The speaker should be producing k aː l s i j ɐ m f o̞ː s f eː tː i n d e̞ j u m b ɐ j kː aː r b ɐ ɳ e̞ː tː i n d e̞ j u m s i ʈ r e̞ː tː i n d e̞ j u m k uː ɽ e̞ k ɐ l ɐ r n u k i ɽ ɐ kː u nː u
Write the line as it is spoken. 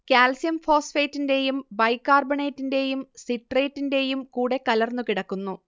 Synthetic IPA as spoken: k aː l s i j ɐ m f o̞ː s f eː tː i n d e̞ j u m b ɐ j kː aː r b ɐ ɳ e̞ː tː i n d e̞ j u m s i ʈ r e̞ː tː i n d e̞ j u m k uː ɽ e̞ k ɐ l ɐ r n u k i ɽ ɐ kː u nː u

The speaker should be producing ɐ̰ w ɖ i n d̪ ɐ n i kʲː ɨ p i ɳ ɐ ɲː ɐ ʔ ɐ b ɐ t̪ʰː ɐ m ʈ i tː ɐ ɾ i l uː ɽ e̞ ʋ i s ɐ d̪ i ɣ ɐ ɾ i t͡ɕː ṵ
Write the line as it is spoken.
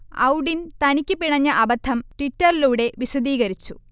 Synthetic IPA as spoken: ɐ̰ w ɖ i n t̪ ɐ n i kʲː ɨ p i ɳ ɐ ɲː ɐ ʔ ɐ b ɐ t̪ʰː ɐ m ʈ i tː ɐ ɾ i l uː ɽ e̞ ʋ i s ɐ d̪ iː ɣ ɐ ɾ i t͡ɕː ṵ

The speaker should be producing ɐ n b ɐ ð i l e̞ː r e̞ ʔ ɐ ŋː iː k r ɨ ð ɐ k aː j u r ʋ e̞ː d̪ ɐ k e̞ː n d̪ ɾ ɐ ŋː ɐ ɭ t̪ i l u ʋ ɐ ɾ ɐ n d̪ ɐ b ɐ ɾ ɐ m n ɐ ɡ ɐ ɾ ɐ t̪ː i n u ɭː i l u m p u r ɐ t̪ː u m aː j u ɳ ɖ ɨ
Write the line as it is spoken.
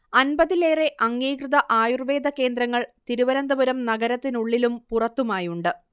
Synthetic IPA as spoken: ɐ n b ɐ ð i l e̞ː r e̞ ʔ ɐ ŋː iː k r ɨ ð ɐ ʔ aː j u r ʋ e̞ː d̪ ɐ k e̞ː n d̪ ɾ ɐ ŋː ɐ ɭ t̪ i ɾ u ʋ ɐ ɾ ɐ n d̪ ɐ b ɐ ɾ ɐ m n ɐ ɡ ɐ ɾ ɐ t̪ː i n u ɭː i l u m p u r ɐ t̪ː u m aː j u ɳ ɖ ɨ

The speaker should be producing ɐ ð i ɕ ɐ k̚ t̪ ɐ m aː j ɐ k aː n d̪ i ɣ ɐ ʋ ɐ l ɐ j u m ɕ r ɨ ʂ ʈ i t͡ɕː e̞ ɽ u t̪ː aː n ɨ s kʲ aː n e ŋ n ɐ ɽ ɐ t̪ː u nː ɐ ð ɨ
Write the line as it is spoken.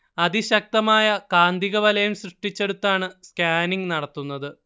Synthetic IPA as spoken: ɐ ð i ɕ ɐ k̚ t̪ ɐ m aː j ɐ k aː n d̪ i ɣ ɐ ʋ ɐ l ɐ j u m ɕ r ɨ ʂ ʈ i t͡ɕː e̞ ɽ u t̪ː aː ɳ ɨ s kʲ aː n i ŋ n ɐ ɽ ɐ t̪ː u nː ɐ ð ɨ

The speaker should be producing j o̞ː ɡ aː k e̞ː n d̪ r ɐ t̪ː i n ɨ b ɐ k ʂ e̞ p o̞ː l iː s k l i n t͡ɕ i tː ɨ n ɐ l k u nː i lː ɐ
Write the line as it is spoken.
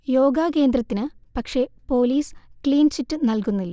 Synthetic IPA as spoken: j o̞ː ɡ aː k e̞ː n d̪ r ɐ t̪ː i n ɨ p ɐ k ʂ e̞ p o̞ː l iː s k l iː n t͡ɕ i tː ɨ n ɐ l k u nː i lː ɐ

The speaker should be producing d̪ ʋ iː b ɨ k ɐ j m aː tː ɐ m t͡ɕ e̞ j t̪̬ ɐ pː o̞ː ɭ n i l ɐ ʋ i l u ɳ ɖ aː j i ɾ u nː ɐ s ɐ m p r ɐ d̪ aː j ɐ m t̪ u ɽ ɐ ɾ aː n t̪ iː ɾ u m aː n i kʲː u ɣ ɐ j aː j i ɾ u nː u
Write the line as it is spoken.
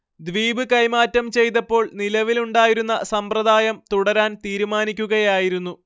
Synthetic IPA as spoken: d̪ ʋ iː b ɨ k ɐ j m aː tː ɐ m t͡ɕ e̞ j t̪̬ ɐ pː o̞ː ɭ n i l ɐ ʋ i l u ɳ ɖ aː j i ɾ u nː ɐ s ɐ m p r ɐ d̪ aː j ɐ m t̪ u ɽ ɐ ɾ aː n t̪ iː ɾ u m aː n i kʲː u ɣ ɐ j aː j i ɾ u nː u

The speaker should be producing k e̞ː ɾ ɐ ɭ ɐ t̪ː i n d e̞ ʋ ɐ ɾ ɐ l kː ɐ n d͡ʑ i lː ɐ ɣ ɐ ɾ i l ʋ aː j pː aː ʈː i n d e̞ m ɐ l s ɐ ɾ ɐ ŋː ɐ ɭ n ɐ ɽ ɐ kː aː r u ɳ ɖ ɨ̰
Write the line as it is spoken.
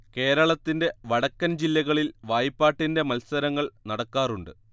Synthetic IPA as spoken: k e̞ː ɾ ɐ ɭ ɐ t̪ː i n d e̞ ʋ ɐ ɽ ɐ kː ɐ n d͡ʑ i lː ɐ ɣ ɐ ɭ i l ʋ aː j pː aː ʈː i n d e̞ m ɐ l s ɐ ɾ ɐ ŋː ɐ ɭ n ɐ ɽ ɐ kː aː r u ɳ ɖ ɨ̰

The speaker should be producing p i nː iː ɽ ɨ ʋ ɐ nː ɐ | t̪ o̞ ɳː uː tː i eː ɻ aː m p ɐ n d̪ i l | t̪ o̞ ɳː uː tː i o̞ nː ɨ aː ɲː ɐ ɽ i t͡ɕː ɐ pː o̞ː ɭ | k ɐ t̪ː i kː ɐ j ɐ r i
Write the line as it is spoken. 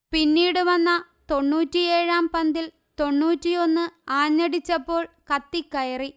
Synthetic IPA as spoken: p i nː iː ɽ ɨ ʋ ɐ nː ɐ | t̪ o̞ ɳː uː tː i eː ɻ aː m p ɐ n d̪ i l | t̪ o̞ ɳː uː tː i o̞ nː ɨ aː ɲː ɐ ɽ i t͡ɕː ɐ pː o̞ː ɭ | k ɐ t̪ː i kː ɐ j ɐ r i

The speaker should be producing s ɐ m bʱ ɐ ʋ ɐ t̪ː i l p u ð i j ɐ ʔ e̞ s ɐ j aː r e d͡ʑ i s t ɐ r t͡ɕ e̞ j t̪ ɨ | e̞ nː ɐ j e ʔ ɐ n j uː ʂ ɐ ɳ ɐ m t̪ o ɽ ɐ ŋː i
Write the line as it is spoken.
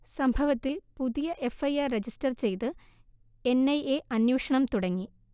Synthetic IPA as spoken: s ɐ m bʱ ɐ ʋ ɐ t̪ː i l p u ð i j ɐ ʔ e̞ f ɐ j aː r e d͡ʑ i s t ɐ r t͡ɕ e̞ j t̪ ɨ | e̞ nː ɐ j e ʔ ɐ n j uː ʂ ɐ ɳ ɐ m t̪ u ɽ ɐ ŋː i

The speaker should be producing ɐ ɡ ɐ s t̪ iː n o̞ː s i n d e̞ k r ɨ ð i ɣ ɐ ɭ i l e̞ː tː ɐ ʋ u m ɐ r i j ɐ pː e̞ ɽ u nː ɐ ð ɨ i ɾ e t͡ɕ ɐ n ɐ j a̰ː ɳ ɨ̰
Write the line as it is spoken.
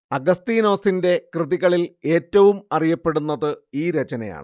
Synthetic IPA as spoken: ɐ ɡ ɐ s t̪ iː n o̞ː s i n d e̞ k r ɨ ð i ɣ ɐ ɭ i l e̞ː tː ɐ ʋ u m ɐ r i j ɐ pː e̞ ɽ u nː ɐ ð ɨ iː ɾ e t͡ɕ ɐ n ɐ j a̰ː ɳ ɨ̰

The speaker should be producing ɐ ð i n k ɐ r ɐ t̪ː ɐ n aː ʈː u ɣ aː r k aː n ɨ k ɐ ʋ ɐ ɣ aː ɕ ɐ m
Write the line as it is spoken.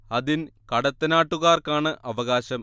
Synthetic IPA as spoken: ɐ ð i n k ɐ ɽ ɐ t̪ː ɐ n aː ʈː u ɣ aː r k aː ɳ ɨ ʔ ɐ ʋ ɐ ɣ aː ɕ ɐ m

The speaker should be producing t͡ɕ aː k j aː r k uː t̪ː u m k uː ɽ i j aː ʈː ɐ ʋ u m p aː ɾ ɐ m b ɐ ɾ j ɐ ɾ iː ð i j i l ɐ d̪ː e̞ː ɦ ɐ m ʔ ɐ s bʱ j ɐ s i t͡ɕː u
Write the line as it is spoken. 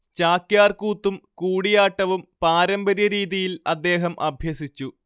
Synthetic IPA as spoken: t͡ɕ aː k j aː r k uː t̪ː u m k uː ɽ i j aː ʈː ɐ ʋ u m p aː ɾ ɐ m b ɐ ɾ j ɐ ɾ iː ð i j i l ɐ d̪ː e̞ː ɦ ɐ m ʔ ɐ bʱ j ɐ s i t͡ɕː u

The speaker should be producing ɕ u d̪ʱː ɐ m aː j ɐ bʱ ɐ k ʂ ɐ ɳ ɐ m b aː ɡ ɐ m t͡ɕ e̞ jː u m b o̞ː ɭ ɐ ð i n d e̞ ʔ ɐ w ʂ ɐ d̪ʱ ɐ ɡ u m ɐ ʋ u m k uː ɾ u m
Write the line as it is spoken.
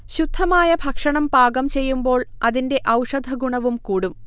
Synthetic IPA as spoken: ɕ u d̪ʱː ɐ m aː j ɐ bʱ ɐ k ʂ ɐ ɳ ɐ m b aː ɡ ɐ m t͡ɕ e̞ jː u m b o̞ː ɭ ɐ ð i n d e̞ ʔ ɐ w ʂ ɐ d̪ʱ ɐ ɡ u ɳ ɐ ʋ u m k uː ɽ u m

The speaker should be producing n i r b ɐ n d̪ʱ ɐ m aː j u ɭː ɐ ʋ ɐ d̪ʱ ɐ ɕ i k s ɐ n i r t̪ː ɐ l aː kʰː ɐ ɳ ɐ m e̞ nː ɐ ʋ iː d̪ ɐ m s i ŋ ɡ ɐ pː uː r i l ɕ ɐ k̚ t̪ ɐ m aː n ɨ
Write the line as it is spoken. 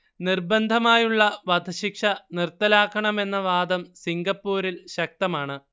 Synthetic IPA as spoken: n i r b ɐ n d̪ʱ ɐ m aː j u ɭː ɐ ʋ ɐ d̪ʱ ɐ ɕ i k ʂ ɐ n i r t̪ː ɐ l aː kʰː ɐ ɳ ɐ m e̞ nː ɐ ʋ aː d̪ ɐ m s i ŋ ɡ ɐ pː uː ɾ i l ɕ ɐ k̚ t̪ ɐ m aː ɳ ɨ

